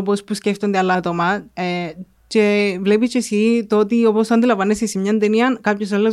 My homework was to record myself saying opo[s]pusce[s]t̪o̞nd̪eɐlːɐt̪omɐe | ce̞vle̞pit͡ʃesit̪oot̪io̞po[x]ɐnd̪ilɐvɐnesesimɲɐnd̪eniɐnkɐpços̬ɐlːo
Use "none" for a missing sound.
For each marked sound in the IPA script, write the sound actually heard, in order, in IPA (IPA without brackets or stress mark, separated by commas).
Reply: s, f, s